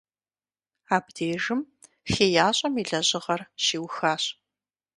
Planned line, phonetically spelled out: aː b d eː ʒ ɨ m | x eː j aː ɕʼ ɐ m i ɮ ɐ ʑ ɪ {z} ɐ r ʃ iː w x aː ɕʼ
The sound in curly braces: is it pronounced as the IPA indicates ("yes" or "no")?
no